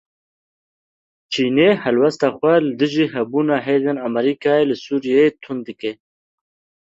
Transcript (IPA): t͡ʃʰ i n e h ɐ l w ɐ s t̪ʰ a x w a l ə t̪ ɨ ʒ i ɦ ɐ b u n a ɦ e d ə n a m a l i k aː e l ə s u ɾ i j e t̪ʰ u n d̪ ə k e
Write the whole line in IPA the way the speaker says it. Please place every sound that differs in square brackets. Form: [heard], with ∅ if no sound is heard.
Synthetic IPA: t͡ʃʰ i n e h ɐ l w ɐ s [t̪] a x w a l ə [d̪] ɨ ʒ i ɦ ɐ b u n a ɦ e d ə n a m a [ɾ] i k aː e l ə s u ɾ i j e t̪ʰ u n d̪ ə k e

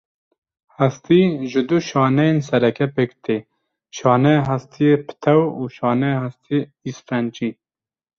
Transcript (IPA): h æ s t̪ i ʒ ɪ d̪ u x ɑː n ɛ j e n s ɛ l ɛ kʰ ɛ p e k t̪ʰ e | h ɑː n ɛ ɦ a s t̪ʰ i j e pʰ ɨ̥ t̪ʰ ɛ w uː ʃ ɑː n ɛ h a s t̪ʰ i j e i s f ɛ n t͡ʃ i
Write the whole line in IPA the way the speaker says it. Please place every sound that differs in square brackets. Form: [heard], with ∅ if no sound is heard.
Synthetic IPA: h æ s t̪ i ʒ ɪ d̪ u [ʃ] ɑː n ɛ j e n s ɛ [ɾ] ɛ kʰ ɛ p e k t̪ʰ e | [ʃ] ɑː n ɛ ɦ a s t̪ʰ i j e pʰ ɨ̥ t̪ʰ ɛ w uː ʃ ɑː n ɛ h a s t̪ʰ i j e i s f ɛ n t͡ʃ i

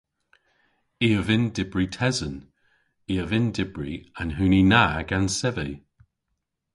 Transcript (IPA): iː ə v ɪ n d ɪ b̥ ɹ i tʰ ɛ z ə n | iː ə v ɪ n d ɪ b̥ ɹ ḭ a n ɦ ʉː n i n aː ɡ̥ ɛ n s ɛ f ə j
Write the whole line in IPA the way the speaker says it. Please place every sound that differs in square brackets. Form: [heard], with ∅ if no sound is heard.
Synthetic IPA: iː ə v ɪ n d ɪ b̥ ɹ i tʰ ɛ z ə n | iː ə v ɪ n d ɪ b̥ ɹ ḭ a n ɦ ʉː n i n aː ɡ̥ [a] n s ɛ [v] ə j

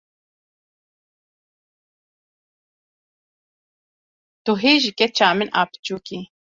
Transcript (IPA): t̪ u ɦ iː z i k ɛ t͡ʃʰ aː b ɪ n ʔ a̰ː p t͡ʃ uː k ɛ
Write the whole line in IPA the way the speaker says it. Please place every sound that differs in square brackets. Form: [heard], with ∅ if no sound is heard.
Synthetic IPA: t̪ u ɦ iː [ʒ] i k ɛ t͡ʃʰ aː [m] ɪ n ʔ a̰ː p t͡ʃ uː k [i]

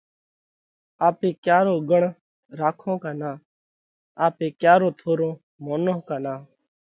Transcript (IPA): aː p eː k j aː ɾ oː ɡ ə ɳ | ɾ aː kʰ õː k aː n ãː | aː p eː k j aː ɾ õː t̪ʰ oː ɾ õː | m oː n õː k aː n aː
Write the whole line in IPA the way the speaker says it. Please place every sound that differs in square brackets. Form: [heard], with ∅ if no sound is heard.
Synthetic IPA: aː p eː k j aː ɾ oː ɡ ə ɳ | ɾ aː kʰ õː k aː n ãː | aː p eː k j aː ɾ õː t̪ʰ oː ɾ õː | m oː n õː k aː n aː

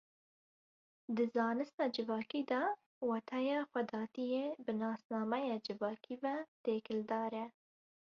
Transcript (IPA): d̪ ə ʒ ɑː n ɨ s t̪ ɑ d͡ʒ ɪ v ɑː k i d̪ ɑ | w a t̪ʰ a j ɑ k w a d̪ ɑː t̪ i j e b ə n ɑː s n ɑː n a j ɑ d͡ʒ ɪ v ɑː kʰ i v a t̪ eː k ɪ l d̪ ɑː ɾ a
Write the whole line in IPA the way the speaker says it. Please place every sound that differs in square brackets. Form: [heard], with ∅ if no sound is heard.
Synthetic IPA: d̪ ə [z] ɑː n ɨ s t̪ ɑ d͡ʒ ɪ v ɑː k i d̪ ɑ | w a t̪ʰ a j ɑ [x] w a d̪ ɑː t̪ i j e b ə n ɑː s n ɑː [m] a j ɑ d͡ʒ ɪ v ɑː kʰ i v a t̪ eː k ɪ l d̪ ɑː ɾ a

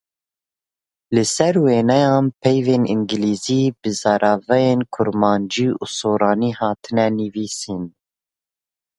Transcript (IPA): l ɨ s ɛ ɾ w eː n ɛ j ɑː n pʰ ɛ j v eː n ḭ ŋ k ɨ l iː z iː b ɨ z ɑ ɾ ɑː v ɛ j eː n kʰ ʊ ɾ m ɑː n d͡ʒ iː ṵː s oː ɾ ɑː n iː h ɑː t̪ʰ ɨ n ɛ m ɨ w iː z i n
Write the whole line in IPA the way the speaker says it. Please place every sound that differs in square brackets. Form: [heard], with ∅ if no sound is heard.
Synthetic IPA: l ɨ s ɛ ɾ w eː n ɛ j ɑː n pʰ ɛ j v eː n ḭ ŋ [ɡ] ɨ l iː z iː b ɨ z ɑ ɾ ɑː v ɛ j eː n kʰ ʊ ɾ m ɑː n d͡ʒ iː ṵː s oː ɾ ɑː n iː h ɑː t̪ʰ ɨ n ɛ [n] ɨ [v] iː [s] i n

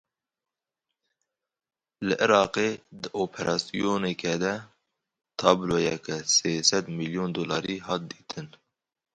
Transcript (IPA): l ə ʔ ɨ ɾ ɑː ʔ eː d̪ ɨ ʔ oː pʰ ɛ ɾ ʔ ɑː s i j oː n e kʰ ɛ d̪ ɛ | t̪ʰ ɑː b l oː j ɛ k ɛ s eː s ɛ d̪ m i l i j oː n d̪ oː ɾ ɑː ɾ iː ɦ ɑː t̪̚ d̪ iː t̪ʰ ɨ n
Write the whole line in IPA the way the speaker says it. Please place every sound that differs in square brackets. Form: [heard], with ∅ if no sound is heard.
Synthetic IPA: l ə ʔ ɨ ɾ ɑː [q] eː d̪ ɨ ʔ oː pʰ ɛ ɾ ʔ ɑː s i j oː n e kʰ ɛ d̪ ɛ | t̪ʰ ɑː b l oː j ɛ k ɛ s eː s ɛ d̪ m i l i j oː n d̪ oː [l] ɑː ɾ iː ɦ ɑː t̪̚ d̪ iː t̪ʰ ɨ n

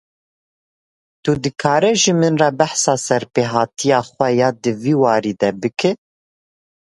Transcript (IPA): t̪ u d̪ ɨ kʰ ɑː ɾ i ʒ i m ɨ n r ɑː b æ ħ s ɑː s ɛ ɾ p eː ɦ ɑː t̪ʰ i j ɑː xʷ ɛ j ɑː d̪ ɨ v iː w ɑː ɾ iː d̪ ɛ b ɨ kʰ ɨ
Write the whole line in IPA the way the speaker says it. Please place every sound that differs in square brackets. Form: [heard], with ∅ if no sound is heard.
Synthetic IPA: t̪ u d̪ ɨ kʰ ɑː ɾ [ɛ] ʒ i m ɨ n r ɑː b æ ħ s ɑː s ɛ ɾ p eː ɦ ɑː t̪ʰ i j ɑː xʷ ɛ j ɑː d̪ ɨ v iː w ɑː ɾ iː d̪ ɛ b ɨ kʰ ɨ

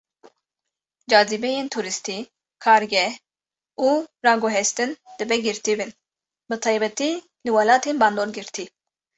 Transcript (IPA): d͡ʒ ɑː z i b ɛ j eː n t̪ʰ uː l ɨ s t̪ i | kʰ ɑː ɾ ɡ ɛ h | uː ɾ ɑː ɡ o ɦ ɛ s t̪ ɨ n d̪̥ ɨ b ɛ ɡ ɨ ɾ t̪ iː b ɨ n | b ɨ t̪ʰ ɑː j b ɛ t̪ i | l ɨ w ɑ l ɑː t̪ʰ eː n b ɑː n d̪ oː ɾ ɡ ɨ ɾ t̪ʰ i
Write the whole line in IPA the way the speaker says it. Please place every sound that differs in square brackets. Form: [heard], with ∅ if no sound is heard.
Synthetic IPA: d͡ʒ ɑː z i b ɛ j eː n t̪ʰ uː [ɾ] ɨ s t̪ i | kʰ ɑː ɾ ɡ ɛ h | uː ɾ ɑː ɡ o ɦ ɛ s t̪ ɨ n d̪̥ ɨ b ɛ ɡ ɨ ɾ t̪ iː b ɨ n | b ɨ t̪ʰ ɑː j b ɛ t̪ i | l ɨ w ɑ l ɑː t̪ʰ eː n b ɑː n d̪ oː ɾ ɡ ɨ ɾ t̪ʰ i

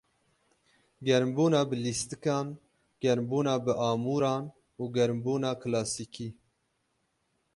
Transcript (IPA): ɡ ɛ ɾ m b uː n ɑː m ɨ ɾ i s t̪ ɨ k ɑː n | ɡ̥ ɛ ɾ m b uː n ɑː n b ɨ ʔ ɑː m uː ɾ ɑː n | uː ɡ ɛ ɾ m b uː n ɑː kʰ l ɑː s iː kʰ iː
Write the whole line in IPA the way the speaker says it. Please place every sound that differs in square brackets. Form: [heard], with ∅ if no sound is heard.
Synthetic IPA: ɡ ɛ ɾ m b uː n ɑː [b] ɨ [l] i s t̪ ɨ k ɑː n | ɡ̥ ɛ ɾ m b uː n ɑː [∅] b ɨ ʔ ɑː m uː ɾ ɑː n | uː ɡ ɛ ɾ m b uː n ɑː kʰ l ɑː s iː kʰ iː

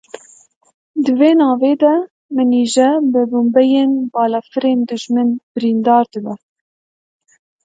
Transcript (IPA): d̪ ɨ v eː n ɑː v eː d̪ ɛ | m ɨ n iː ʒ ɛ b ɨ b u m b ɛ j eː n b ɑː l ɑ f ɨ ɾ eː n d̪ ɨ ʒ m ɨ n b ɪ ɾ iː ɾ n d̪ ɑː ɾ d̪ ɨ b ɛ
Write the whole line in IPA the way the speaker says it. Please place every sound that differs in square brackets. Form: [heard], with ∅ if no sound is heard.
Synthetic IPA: d̪ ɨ v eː n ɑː v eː d̪ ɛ | m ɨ n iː ʒ ɛ b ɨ b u m b ɛ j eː n b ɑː l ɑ f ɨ ɾ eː n d̪ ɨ ʒ m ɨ n b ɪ ɾ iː [∅] n d̪ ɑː ɾ d̪ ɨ b ɛ

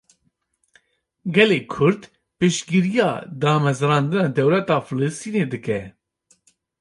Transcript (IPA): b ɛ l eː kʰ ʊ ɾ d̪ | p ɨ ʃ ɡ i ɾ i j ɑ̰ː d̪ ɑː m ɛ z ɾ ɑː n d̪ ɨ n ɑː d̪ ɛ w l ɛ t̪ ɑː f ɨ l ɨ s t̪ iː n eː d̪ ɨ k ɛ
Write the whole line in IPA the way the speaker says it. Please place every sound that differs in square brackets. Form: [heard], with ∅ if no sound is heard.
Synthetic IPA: [ɡ] ɛ l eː kʰ ʊ ɾ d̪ | p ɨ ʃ ɡ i ɾ i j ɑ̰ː d̪ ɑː m ɛ z ɾ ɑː n d̪ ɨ n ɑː d̪ ɛ w l ɛ t̪ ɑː f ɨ l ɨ s t̪ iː n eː d̪ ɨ k ɛ

